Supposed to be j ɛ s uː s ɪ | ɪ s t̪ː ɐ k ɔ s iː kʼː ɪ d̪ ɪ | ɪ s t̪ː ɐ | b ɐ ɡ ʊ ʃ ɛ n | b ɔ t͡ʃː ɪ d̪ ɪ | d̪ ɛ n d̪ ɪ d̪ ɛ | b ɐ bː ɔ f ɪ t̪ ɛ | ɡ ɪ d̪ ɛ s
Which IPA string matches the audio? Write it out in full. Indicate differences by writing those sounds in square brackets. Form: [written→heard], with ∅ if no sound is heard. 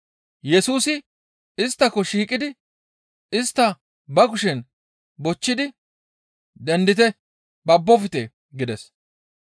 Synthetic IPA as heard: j ɛ s uː s ɪ | ɪ s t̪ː ɐ k ɔ [s→ʃ] iː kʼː ɪ d̪ ɪ | ɪ s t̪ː ɐ | b ɐ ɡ ʊ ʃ ɛ n | b ɔ t͡ʃː ɪ d̪ ɪ | d̪ ɛ n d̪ ɪ [d̪→t̪] ɛ | b ɐ bː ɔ f ɪ t̪ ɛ | ɡ ɪ d̪ ɛ s